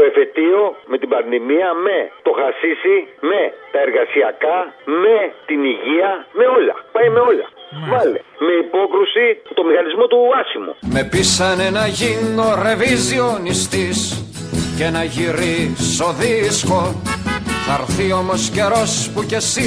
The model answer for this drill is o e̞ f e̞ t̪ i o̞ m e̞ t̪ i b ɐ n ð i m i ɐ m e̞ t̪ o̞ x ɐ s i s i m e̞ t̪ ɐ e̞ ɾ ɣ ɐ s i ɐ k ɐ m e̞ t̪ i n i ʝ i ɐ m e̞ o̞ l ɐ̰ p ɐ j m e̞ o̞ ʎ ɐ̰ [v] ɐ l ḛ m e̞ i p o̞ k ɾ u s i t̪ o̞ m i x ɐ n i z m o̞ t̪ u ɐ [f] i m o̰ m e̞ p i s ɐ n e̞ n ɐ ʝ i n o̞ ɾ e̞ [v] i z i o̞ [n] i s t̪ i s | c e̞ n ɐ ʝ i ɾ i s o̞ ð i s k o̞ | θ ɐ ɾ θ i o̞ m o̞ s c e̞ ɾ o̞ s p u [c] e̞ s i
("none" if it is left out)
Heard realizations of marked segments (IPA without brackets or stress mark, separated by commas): v, s, v, n, c